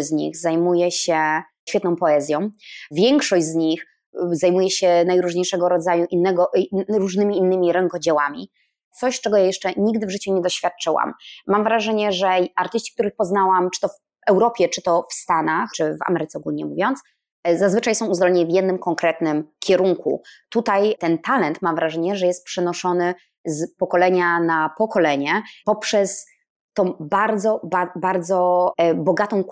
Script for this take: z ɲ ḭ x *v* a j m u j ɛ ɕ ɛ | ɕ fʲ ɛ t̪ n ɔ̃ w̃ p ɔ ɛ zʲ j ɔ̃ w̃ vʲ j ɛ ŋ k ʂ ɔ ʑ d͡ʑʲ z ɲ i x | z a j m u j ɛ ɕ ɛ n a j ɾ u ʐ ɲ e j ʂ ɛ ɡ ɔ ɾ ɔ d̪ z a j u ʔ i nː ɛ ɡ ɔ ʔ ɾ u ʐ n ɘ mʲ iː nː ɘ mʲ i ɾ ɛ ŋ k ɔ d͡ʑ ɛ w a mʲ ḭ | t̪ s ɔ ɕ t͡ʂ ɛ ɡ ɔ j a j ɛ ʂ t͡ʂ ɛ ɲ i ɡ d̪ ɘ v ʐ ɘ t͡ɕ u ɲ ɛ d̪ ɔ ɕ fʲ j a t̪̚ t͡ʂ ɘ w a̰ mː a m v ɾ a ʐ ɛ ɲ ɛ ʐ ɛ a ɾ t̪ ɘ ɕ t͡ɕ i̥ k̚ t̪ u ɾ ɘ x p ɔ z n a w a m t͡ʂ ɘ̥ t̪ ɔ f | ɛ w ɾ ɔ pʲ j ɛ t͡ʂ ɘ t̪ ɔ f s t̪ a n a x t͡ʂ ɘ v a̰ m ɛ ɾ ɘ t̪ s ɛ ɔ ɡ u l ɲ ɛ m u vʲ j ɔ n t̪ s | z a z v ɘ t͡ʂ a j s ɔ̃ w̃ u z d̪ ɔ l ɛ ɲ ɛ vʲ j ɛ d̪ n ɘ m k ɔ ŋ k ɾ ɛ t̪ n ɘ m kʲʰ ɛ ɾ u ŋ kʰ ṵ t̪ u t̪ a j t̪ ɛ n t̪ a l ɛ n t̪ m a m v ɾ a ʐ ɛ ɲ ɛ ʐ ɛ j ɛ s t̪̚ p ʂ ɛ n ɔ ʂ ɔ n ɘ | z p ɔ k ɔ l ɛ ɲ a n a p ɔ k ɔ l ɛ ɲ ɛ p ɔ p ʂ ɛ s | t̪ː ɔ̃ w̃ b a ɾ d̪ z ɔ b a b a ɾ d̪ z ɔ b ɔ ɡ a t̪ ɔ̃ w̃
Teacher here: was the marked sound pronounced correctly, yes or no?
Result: no